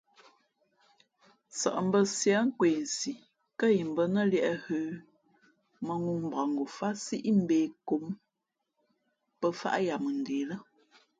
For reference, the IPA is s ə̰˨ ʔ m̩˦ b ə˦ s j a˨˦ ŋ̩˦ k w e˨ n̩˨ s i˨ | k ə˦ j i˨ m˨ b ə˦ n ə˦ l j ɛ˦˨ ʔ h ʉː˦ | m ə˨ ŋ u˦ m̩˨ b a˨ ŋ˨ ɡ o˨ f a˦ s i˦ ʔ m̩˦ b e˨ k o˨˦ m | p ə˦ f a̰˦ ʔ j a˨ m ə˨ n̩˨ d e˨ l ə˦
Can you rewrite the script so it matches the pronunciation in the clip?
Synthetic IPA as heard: s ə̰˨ ʔ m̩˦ b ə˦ s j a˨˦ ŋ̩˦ k w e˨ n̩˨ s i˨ | k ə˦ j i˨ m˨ b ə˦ n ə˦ l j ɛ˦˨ ʔ h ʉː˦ | m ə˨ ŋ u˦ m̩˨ b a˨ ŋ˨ ɡ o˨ f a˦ s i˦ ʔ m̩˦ b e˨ k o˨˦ m | p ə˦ f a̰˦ ʔ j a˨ m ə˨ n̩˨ d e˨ l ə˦